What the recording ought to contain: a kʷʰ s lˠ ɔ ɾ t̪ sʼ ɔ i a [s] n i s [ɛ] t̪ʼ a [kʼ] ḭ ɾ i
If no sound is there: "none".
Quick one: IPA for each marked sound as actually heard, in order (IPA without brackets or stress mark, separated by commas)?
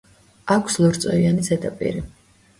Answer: none, ɛ, pʼ